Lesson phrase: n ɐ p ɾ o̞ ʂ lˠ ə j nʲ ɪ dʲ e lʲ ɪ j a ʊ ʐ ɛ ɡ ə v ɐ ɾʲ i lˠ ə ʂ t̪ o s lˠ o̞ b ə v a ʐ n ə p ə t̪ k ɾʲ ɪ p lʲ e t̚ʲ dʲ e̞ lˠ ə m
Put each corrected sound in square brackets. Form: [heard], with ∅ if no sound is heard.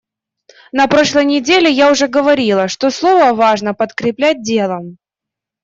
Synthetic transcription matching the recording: n ɐ p ɾ o̞ ʂ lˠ ə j nʲ ɪ dʲ e lʲ ɪ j a ʊ ʐ ɛ ɡ ə v ɐ ɾʲ i lˠ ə ʂ t̪ o s lˠ o̞ [v] ə v a ʐ n ə p ə t̪ k ɾʲ ɪ p lʲ [æ] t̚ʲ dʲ e̞ lˠ ə m